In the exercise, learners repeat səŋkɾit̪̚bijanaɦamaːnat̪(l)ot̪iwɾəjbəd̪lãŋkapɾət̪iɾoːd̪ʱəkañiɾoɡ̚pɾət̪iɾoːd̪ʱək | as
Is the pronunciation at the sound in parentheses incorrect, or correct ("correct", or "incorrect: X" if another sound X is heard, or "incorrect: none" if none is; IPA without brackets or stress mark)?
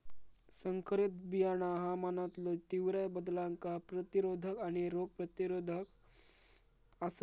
correct